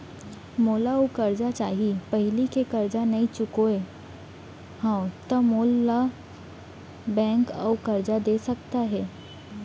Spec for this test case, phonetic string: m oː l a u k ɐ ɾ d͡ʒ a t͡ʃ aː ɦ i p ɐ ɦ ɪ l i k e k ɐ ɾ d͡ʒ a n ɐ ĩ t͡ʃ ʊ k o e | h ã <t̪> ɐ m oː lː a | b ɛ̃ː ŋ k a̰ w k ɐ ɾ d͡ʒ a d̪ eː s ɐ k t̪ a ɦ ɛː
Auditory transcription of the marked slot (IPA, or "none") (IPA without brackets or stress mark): t̪